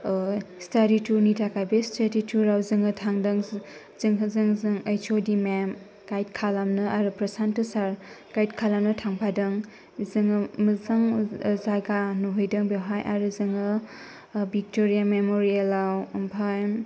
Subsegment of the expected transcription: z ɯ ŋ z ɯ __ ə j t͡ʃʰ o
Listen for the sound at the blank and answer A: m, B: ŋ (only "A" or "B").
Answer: B